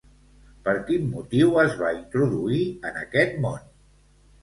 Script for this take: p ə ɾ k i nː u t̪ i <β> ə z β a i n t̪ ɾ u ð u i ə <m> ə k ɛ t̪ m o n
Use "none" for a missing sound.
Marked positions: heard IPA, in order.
w, n

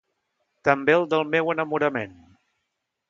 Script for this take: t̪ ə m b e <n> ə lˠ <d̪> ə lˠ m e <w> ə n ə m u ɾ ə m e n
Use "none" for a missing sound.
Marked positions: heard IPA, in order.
none, d̪, w

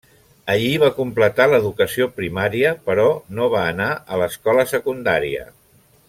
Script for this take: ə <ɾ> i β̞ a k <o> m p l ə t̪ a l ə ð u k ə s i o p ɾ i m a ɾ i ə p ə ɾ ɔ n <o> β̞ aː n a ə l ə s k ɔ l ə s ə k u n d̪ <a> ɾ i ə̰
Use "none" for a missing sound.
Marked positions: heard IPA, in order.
ʎ, u, o, a

